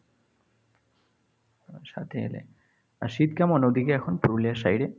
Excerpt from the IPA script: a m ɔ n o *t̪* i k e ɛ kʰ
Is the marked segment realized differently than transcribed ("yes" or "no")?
yes